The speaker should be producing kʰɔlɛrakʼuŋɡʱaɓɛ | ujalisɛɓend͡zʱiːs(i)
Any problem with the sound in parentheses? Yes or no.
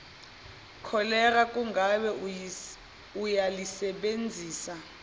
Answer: yes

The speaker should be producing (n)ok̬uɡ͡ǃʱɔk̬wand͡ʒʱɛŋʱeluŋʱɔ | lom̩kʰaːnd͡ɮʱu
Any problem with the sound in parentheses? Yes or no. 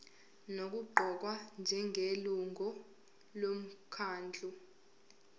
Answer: no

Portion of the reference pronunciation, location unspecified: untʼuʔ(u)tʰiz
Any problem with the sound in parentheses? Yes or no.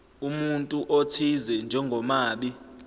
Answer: yes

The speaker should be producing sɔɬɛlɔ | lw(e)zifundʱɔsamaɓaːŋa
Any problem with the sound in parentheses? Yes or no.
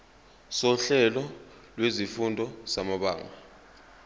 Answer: no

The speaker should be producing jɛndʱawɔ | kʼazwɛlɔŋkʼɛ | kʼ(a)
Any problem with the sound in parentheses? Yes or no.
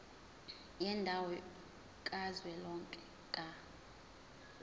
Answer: no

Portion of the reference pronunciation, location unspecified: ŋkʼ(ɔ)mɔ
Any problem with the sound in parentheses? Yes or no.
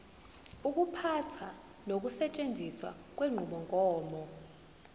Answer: yes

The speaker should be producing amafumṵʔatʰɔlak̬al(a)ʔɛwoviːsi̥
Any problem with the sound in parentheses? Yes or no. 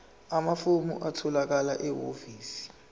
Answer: no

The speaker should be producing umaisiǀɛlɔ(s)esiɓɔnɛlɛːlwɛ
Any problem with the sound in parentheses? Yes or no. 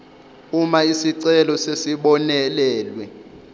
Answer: no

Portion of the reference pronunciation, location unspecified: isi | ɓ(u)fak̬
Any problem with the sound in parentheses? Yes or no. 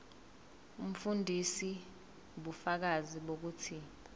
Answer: no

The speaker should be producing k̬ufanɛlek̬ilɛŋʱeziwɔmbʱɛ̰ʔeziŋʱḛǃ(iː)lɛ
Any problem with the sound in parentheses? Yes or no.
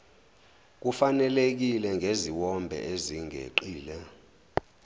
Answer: no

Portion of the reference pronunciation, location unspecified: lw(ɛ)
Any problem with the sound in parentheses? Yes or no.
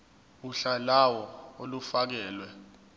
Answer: no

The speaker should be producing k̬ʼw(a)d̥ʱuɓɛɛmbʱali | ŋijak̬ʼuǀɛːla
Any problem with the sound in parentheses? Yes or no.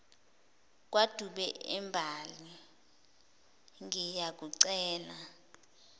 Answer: no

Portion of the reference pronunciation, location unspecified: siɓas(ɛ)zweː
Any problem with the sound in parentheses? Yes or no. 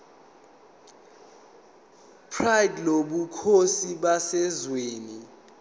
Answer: no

